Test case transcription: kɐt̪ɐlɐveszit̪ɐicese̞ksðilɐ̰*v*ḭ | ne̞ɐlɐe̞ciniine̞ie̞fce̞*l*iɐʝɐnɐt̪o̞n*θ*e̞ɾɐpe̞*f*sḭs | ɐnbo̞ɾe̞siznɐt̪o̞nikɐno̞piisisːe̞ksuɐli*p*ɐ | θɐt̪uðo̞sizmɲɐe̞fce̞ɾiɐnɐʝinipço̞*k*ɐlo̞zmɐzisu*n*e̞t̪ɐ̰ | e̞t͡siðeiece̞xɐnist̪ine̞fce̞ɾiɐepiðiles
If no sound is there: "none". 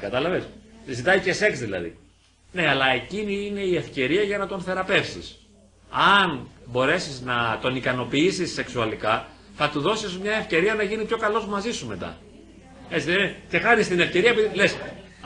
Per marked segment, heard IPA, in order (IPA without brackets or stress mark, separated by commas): ð, ɾ, θ, f, k, k, m